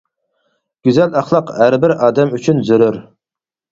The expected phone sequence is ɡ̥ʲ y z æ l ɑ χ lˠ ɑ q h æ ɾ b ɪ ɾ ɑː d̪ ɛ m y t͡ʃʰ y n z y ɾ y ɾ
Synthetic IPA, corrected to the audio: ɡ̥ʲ y z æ l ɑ χ lˠ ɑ q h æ ɾ b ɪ ɾ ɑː d̪ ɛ m y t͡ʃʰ y n z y ɾ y ɾ